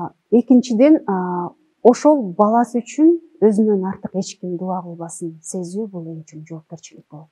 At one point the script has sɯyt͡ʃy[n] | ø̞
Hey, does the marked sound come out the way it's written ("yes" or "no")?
yes